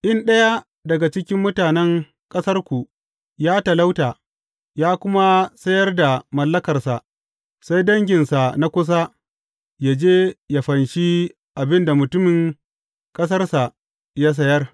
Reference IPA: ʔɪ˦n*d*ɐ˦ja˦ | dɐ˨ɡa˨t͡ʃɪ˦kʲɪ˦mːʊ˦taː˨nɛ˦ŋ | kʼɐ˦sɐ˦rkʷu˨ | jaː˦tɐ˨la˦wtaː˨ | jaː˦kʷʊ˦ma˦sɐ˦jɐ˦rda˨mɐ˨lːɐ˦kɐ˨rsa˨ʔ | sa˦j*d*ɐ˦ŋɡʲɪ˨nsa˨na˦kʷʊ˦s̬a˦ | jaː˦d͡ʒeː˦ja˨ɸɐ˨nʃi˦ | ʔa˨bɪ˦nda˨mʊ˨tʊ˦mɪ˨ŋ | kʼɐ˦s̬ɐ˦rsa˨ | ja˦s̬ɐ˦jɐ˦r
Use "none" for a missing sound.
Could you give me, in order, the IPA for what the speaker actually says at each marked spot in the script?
ɗ, d

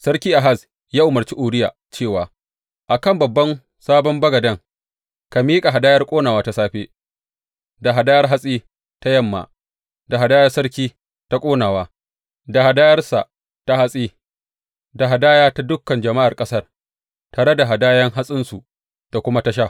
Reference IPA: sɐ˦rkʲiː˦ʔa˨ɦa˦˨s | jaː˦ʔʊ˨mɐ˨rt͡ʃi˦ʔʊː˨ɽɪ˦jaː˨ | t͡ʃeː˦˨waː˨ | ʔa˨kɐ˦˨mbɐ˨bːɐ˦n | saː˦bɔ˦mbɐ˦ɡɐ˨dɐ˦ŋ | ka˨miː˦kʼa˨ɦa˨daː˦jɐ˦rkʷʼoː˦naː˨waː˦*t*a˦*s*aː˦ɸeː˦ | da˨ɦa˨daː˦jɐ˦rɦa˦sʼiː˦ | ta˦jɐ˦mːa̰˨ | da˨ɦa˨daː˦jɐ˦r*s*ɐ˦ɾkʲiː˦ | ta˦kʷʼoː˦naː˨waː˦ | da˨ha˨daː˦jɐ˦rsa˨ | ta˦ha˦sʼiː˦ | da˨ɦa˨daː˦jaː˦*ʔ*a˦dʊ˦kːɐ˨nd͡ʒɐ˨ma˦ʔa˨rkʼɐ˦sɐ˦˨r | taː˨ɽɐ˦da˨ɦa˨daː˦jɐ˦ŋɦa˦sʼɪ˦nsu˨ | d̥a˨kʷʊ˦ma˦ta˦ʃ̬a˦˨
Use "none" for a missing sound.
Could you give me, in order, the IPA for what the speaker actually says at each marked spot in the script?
t, s, s, t

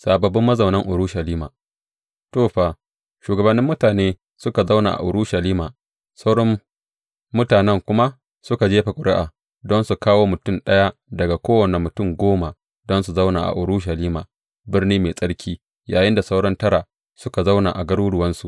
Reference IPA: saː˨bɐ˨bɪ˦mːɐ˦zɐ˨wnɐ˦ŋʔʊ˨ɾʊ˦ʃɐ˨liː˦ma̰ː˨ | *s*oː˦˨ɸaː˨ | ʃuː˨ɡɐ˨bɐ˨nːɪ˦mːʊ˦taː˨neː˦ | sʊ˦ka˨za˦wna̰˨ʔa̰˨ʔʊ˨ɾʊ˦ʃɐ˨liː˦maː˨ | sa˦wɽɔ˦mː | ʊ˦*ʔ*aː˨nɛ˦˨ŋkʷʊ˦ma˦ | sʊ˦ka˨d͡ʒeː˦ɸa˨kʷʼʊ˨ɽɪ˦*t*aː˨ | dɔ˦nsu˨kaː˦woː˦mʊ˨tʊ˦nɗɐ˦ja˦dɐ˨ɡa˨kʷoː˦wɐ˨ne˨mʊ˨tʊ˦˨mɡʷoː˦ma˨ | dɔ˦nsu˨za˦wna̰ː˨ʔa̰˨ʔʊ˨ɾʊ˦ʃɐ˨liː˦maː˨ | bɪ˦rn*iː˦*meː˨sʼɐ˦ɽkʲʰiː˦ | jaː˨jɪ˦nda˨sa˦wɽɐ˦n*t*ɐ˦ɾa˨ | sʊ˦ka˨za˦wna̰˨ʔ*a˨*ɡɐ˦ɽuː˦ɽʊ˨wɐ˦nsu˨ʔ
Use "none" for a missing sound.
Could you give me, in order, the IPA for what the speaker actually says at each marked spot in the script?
t, t, ʔ, iː˦, t, a˨

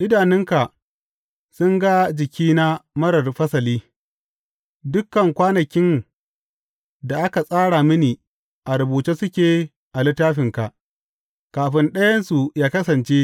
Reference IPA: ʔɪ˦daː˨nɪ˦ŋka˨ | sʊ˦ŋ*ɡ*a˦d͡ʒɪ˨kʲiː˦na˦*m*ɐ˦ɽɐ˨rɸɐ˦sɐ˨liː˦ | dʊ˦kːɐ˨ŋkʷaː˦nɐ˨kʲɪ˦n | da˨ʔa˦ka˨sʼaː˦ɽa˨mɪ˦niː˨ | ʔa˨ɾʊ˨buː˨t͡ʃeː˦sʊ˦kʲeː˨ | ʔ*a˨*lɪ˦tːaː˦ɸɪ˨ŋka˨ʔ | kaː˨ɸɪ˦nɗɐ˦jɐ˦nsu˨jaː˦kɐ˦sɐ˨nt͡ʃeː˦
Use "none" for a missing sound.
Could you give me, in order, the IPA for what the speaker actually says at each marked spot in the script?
ɡ, m, a˨

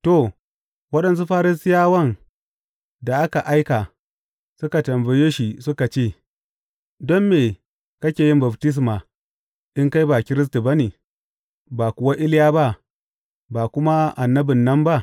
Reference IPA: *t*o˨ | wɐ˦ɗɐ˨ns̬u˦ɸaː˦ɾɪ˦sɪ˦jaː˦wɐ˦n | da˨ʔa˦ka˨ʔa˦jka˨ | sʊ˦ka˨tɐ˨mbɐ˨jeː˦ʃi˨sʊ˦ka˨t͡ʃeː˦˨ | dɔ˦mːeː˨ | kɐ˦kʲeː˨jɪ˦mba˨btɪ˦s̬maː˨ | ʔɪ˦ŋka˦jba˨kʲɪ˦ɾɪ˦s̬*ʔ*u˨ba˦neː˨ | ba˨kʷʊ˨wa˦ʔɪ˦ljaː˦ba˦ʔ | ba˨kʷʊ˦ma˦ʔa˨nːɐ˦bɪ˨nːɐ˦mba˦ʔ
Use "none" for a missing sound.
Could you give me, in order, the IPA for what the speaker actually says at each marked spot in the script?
t, t

